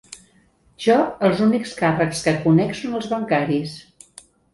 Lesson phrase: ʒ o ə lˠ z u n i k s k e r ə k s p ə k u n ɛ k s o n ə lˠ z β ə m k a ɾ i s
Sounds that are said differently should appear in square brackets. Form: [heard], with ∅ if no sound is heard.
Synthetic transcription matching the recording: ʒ [ɔ] ə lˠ z u n i k s k [a] r ə k s [k] ə k u n ɛ k s o n ə lˠ z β ə [ŋ] k a ɾ i s